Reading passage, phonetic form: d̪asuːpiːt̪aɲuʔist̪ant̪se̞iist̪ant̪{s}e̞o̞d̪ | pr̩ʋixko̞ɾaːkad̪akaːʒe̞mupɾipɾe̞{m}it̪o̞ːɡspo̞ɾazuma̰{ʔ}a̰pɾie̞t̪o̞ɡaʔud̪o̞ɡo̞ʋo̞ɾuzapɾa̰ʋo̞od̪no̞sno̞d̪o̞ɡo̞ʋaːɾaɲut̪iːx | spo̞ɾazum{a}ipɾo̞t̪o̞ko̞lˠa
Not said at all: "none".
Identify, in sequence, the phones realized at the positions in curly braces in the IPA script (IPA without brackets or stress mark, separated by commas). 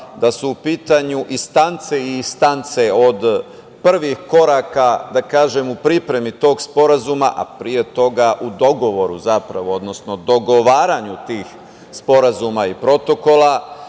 s, m, ʔ, a